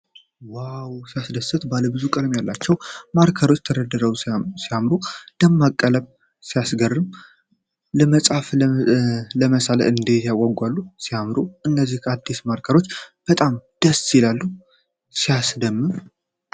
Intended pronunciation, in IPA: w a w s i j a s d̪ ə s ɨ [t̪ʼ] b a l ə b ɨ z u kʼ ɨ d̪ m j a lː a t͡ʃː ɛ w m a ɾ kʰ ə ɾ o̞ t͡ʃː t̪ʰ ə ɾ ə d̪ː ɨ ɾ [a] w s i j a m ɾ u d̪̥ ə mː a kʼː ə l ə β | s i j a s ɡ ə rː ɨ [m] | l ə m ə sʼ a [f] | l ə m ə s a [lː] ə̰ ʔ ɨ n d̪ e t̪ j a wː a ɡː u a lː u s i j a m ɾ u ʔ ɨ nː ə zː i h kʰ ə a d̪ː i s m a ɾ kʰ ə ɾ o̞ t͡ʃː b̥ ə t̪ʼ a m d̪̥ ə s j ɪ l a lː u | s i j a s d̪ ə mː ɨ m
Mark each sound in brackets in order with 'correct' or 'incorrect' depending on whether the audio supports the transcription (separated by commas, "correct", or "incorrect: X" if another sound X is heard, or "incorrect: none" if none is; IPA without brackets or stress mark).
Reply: incorrect: t̪, incorrect: ə, correct, correct, incorrect: l